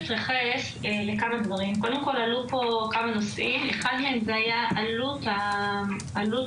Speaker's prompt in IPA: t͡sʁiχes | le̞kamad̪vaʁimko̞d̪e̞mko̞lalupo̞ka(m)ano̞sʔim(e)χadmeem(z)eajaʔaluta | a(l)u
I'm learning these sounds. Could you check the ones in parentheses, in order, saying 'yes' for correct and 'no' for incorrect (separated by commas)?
yes, yes, yes, yes